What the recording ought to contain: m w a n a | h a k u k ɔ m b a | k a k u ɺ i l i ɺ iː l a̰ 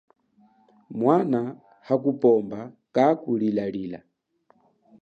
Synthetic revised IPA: m w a n a | h a k u p ɔ m b a | k a k u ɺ i l a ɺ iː l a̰